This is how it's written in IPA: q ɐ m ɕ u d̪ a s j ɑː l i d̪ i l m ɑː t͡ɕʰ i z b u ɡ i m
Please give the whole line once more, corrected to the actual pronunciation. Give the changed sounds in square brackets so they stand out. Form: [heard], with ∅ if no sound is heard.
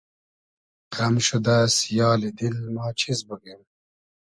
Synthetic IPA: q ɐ m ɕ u d̪ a s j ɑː l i d̪ i l m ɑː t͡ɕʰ i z b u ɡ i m